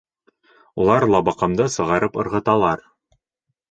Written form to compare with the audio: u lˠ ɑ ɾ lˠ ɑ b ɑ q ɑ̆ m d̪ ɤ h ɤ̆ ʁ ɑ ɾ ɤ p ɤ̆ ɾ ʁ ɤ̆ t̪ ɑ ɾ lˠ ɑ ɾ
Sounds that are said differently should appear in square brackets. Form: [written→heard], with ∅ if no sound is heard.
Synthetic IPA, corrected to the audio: u lˠ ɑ ɾ lˠ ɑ b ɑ q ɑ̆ m d̪ ɤ [h→s] ɤ̆ ʁ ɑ ɾ ɤ p ɤ̆ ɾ ʁ ɤ̆ t̪ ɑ [ɾ→∅] lˠ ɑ ɾ